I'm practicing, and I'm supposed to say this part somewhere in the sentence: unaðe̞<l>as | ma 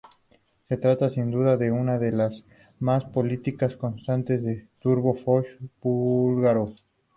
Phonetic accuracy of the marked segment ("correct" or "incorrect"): correct